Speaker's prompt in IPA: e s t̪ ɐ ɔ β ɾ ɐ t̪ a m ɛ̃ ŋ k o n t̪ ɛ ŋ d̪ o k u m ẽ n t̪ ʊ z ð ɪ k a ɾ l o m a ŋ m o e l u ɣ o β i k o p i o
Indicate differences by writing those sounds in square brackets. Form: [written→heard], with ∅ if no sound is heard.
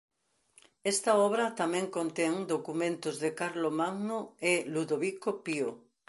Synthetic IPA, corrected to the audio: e s t̪ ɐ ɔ β ɾ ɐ t̪ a m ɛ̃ ŋ k o n t̪ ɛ ŋ d̪ o k u m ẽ n t̪ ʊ z ð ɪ k a ɾ l o m a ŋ [m→n] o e l u [ɣ→ð] o β i k o p i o